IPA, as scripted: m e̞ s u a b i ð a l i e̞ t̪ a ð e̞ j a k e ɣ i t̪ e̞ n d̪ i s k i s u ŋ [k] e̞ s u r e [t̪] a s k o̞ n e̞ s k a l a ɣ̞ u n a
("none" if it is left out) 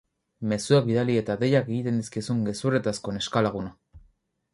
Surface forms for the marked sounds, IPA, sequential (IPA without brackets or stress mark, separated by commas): ɡ, t̪